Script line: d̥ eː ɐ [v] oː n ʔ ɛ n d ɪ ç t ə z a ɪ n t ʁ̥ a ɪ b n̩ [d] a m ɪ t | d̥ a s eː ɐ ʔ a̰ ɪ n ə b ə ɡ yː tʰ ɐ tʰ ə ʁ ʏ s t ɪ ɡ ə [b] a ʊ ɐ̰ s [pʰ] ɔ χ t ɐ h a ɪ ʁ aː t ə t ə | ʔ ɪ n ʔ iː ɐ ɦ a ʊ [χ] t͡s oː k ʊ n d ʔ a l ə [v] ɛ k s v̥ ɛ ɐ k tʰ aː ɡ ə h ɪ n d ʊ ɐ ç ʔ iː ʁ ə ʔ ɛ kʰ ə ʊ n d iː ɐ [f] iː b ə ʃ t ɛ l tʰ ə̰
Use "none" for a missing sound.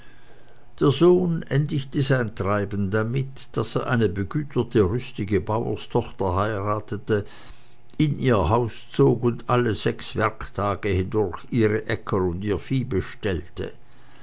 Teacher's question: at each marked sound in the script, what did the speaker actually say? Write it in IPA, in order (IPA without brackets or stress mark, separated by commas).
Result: z, d, b, tʰ, s, z, f